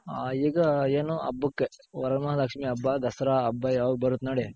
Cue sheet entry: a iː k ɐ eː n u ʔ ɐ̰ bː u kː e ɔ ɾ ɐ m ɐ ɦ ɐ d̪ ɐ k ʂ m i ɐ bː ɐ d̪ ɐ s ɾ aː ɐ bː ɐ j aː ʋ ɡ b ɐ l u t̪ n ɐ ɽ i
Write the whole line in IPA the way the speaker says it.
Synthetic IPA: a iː ɡ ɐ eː n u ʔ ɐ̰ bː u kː e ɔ ɾ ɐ m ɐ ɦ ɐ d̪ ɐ k ʂ m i ɐ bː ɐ d̪ ɐ s ɾ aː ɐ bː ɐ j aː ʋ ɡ b ɐ ɾ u t̪ n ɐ ɽ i